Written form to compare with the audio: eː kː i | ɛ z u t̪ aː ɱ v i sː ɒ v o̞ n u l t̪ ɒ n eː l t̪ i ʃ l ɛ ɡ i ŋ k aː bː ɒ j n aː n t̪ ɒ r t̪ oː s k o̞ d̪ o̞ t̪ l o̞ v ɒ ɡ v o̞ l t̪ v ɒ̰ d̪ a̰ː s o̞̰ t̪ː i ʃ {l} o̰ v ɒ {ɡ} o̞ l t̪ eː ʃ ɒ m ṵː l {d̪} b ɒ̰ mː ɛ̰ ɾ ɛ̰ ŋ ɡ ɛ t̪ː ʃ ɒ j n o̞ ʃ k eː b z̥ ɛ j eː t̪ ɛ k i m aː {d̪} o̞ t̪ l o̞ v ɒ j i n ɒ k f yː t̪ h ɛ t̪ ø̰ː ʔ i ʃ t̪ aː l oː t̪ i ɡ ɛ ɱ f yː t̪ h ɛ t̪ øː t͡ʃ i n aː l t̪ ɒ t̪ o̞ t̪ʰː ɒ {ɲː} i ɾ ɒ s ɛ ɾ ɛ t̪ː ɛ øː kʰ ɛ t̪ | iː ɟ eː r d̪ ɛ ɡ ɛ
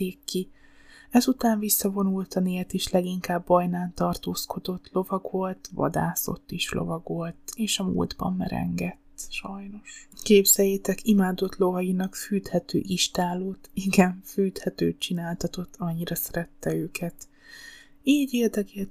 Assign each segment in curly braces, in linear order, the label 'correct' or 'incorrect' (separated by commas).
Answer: correct, correct, correct, correct, correct